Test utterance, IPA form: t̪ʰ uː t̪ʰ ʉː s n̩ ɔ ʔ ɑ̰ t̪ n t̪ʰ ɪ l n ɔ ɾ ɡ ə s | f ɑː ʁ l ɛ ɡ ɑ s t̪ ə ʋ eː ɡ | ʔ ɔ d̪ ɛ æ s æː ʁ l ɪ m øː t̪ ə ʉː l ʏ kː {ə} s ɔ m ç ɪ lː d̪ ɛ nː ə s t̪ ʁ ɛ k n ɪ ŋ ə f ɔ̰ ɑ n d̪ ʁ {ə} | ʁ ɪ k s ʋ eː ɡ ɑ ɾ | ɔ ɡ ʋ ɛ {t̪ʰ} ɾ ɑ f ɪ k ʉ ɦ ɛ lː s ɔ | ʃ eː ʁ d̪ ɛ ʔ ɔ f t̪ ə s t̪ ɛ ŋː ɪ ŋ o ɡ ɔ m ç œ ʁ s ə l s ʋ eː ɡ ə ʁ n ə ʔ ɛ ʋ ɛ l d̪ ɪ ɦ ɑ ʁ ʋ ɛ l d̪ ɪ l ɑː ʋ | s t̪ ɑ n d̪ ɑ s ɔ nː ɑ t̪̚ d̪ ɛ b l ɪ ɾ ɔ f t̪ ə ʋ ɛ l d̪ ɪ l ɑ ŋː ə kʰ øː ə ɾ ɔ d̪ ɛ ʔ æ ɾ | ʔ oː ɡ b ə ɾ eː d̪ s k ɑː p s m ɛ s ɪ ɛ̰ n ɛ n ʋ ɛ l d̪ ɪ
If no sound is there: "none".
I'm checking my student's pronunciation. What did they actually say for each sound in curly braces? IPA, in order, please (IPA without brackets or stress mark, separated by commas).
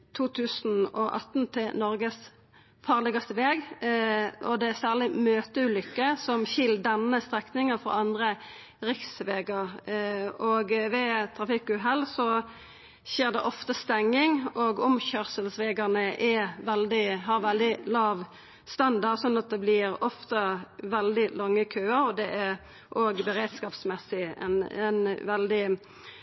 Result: ə, ə, t̪ʰ